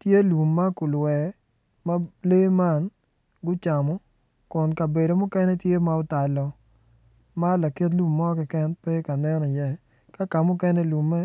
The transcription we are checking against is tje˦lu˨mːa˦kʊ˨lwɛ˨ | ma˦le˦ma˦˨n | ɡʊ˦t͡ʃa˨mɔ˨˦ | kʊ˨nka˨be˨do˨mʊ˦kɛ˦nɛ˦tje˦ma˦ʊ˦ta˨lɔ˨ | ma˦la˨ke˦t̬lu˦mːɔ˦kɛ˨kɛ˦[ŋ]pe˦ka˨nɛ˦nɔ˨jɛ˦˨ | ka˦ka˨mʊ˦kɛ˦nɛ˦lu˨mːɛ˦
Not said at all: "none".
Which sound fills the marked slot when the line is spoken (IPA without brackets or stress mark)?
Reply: n